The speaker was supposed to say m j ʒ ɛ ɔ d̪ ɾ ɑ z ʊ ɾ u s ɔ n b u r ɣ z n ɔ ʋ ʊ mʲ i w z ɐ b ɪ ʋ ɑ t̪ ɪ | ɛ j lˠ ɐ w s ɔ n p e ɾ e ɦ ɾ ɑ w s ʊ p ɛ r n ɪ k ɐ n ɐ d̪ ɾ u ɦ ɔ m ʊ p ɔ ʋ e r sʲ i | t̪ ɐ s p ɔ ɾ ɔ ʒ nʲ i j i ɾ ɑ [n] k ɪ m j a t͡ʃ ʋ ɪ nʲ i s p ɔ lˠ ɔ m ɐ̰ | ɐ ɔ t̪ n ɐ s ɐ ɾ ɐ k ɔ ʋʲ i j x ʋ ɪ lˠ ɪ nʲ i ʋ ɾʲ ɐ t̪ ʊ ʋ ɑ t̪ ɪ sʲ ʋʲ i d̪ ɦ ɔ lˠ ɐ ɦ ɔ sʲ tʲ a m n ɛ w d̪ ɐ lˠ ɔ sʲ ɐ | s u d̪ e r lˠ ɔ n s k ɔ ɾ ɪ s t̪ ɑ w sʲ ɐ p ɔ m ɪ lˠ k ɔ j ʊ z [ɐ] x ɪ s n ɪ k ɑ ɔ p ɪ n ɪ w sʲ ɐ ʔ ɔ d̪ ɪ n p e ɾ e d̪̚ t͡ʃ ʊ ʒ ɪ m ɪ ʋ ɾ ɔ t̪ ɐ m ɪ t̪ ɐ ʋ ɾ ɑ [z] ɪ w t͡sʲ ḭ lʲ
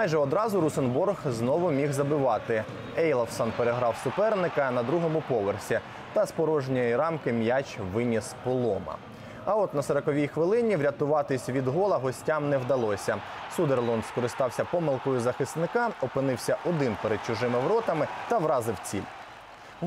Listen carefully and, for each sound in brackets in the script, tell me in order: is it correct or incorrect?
incorrect: m, correct, correct

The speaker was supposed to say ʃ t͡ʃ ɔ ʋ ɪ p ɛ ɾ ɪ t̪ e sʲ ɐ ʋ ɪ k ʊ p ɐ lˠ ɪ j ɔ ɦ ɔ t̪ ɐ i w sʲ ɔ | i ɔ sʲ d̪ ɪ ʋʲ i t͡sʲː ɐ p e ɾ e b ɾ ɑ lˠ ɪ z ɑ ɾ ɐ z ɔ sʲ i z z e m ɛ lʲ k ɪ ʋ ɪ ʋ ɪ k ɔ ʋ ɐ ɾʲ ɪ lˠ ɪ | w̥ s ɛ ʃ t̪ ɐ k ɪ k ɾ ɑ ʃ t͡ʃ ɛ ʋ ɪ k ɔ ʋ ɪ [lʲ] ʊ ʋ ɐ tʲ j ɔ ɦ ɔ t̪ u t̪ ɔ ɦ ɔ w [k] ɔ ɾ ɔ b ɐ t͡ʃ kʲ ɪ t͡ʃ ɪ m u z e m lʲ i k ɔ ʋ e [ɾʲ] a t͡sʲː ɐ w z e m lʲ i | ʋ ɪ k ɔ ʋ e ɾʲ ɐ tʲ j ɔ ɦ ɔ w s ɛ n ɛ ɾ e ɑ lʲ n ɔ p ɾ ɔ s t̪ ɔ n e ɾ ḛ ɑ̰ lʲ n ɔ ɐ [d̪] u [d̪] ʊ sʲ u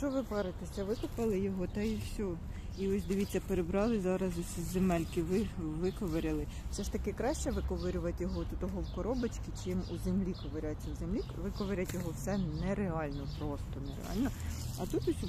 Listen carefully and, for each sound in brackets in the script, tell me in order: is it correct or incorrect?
incorrect: ɾʲ, correct, correct, incorrect: t̪, incorrect: t̪

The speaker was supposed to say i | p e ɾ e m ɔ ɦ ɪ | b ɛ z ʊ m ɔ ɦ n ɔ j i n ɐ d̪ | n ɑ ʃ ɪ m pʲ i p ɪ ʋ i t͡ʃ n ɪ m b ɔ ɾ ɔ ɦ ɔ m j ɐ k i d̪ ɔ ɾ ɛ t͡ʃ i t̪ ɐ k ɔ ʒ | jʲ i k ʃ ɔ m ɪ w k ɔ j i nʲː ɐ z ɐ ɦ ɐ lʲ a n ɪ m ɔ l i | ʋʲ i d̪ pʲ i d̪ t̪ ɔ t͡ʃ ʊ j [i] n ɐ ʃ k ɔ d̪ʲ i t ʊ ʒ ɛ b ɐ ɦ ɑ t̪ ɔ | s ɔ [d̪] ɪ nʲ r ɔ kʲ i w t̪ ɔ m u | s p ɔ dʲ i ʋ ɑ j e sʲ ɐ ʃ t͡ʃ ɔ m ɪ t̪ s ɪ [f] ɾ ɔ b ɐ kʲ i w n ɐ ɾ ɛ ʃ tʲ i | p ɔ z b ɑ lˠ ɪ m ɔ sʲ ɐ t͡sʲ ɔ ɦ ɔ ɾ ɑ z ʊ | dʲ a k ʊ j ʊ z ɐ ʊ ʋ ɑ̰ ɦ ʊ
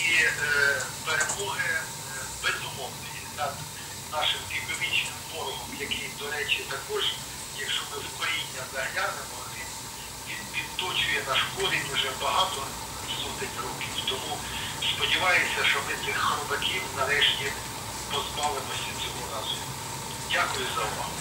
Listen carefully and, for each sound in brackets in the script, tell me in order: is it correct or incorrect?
incorrect: ɛ, incorrect: t̪, incorrect: x

